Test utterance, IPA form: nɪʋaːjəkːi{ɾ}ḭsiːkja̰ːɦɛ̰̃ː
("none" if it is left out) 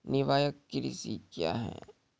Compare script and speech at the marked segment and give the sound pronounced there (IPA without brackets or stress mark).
ɾ